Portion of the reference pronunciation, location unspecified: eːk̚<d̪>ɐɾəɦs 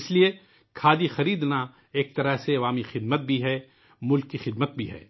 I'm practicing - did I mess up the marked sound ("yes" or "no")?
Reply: yes